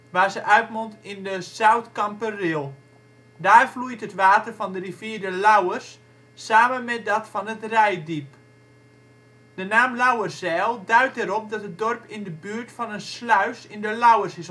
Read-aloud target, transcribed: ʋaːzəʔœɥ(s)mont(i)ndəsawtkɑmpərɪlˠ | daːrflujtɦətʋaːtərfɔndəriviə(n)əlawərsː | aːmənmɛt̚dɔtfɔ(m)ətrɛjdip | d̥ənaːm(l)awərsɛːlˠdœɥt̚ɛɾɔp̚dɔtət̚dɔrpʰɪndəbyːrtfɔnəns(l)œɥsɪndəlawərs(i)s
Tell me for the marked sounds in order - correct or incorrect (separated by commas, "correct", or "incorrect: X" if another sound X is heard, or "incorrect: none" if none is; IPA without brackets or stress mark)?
incorrect: t, incorrect: ɪ, incorrect: d, incorrect: n, correct, correct, incorrect: ɪ